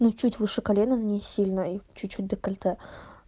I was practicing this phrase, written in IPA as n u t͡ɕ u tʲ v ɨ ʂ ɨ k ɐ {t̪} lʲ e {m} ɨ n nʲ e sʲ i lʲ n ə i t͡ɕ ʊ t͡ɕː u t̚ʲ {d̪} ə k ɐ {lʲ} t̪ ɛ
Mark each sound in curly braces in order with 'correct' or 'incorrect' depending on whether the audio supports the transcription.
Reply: incorrect: none, incorrect: n, correct, correct

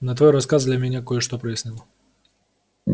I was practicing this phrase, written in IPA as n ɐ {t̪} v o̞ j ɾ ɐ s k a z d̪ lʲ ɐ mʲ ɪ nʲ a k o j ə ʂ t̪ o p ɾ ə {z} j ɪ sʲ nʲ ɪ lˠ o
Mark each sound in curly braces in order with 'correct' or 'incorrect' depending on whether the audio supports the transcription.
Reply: correct, incorrect: none

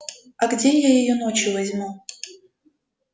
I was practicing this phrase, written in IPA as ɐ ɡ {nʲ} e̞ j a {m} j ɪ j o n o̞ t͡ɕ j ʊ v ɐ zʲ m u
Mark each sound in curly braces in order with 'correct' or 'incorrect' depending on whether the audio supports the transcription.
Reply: incorrect: dʲ, incorrect: none

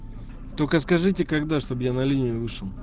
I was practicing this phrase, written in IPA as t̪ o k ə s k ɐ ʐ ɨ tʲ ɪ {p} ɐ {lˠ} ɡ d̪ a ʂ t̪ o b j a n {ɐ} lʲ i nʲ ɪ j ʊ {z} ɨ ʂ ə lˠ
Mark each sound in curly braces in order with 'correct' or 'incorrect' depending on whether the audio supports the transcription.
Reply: incorrect: k, incorrect: none, correct, incorrect: v

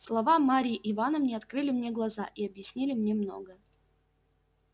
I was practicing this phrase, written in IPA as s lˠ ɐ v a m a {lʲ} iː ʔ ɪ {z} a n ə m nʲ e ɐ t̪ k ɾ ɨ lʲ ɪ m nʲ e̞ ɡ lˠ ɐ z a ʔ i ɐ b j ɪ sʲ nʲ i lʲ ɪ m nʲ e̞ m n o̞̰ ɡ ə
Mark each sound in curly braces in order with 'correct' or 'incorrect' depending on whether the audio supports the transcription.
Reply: incorrect: ɾʲ, incorrect: v

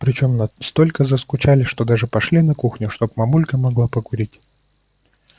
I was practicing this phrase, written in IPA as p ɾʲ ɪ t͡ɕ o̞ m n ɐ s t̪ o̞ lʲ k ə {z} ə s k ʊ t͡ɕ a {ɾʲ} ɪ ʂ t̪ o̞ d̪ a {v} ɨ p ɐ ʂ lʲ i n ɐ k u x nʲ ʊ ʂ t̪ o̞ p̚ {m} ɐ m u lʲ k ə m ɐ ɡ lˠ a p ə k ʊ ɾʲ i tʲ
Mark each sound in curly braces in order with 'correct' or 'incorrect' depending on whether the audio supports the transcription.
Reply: correct, incorrect: lʲ, incorrect: ʐ, correct

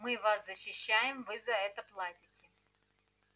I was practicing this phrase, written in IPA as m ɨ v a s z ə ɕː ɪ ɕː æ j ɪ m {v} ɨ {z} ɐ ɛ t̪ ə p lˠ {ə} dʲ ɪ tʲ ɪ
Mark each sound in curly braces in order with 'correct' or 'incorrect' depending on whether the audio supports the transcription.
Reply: correct, correct, incorrect: a

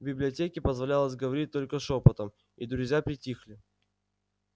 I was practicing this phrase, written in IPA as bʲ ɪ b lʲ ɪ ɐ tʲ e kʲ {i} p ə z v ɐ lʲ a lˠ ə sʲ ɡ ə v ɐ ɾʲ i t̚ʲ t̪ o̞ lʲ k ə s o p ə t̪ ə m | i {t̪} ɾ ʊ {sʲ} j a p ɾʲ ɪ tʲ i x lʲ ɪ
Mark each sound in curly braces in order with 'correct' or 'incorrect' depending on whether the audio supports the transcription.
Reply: incorrect: ɪ, incorrect: d̪, incorrect: zʲ

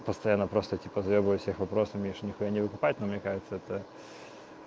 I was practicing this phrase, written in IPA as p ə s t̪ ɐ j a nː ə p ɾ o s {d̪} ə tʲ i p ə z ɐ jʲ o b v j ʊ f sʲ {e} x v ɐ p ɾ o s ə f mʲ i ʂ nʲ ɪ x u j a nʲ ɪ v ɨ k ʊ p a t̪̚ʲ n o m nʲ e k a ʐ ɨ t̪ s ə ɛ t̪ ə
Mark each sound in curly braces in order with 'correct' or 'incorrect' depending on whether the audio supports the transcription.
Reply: incorrect: t̪, correct

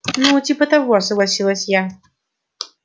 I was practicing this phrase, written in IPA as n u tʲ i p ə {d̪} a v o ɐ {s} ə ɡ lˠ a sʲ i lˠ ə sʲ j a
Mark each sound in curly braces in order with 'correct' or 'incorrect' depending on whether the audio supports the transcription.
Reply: incorrect: t̪, correct

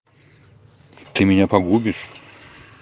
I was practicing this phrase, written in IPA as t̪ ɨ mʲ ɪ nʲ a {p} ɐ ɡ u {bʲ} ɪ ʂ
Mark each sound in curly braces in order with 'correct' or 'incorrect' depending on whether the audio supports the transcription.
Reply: correct, correct

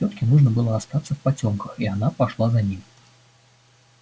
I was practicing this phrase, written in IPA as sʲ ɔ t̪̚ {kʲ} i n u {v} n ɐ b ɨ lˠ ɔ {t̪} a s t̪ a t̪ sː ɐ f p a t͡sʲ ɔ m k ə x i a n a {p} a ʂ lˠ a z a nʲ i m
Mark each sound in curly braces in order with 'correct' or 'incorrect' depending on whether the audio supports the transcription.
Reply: correct, incorrect: ʐ, incorrect: none, correct

